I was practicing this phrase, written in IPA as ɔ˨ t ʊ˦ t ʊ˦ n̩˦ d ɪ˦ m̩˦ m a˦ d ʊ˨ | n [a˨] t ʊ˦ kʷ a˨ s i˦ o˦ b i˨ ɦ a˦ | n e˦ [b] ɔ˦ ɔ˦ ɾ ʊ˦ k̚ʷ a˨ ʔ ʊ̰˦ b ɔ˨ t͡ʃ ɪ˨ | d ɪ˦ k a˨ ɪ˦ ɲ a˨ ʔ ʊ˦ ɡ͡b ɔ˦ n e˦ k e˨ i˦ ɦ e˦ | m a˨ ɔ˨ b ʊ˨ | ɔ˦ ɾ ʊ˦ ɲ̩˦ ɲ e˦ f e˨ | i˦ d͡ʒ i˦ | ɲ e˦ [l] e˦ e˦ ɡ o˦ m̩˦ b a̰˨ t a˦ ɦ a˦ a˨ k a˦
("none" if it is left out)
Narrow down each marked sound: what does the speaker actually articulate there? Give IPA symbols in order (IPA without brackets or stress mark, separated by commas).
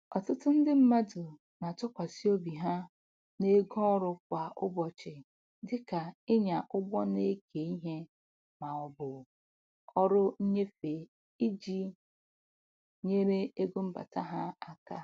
a˨, ɡ, ɾ